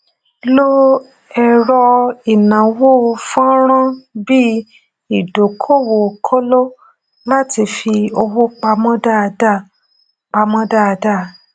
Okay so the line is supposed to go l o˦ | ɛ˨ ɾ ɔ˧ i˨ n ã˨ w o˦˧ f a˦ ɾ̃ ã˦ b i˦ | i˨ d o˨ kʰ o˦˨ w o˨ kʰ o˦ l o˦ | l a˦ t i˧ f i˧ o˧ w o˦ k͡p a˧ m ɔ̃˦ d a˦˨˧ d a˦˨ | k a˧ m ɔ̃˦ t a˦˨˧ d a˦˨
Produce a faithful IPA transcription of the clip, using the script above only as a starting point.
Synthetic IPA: l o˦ | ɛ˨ ɾ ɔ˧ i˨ n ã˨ w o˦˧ f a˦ ɾ̃ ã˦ b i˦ | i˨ d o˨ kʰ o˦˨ w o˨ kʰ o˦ l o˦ | l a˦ t i˧ f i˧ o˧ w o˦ k͡p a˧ m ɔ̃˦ d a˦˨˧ d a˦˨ | k͡p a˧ m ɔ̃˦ d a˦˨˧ d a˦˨